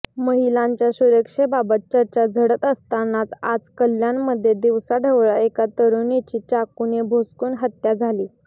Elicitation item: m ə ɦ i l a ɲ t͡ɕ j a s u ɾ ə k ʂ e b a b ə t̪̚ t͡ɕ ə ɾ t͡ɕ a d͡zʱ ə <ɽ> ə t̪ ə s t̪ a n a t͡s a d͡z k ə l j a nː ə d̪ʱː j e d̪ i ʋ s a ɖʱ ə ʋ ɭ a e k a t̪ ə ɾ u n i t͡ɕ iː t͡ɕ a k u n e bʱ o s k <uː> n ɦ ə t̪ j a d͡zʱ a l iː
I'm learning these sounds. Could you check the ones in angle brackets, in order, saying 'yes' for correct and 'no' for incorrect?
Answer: yes, yes

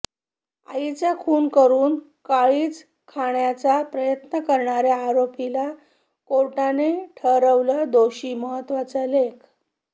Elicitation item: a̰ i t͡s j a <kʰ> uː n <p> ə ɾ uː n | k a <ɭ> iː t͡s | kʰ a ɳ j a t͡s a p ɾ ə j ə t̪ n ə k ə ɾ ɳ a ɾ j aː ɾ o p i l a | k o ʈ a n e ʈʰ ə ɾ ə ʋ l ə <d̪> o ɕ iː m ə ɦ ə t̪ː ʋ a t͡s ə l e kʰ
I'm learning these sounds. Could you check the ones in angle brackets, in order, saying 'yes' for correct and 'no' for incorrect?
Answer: yes, no, yes, yes

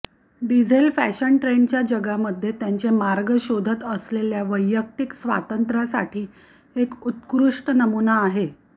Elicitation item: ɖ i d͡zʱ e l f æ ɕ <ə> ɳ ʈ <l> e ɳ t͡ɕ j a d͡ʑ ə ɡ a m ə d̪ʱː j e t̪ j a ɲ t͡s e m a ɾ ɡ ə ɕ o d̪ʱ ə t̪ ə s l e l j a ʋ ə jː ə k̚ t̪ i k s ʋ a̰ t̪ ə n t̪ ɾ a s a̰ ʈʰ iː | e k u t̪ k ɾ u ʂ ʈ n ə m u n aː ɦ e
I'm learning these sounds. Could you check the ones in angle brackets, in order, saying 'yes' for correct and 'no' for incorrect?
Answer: yes, no

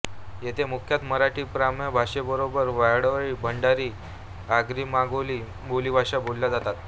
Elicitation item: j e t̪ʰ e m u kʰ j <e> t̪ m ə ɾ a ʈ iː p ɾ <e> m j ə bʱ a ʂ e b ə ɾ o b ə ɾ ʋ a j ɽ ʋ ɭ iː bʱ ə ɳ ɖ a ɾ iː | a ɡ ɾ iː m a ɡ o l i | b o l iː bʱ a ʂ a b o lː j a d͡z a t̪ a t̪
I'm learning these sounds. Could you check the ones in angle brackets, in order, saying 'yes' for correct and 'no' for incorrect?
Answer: no, no

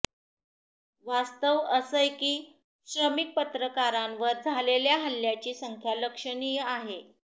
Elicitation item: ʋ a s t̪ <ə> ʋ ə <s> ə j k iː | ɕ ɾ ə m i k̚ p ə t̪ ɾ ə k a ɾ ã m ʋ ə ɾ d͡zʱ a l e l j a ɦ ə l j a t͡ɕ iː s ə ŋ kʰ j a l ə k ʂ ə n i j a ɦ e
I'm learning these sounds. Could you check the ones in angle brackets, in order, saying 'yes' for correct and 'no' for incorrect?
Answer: yes, yes

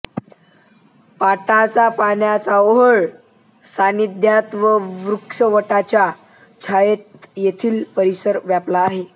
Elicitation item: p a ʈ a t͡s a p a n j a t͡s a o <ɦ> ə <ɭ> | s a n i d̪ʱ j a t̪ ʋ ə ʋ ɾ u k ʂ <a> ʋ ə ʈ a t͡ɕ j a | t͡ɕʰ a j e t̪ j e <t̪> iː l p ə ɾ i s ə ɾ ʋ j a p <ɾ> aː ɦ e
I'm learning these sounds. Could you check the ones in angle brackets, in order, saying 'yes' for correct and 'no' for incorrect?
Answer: yes, yes, no, no, no

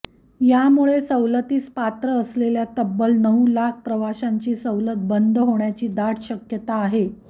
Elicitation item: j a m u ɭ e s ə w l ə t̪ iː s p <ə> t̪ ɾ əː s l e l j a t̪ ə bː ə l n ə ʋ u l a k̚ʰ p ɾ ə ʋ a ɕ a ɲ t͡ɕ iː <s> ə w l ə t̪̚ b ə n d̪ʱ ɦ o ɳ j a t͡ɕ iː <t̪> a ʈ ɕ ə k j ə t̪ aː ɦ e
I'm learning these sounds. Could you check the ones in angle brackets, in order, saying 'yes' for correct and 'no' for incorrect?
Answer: no, yes, no

